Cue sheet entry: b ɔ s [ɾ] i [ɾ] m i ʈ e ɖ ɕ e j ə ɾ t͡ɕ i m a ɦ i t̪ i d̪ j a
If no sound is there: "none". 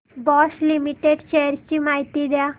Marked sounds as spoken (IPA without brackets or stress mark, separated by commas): l, none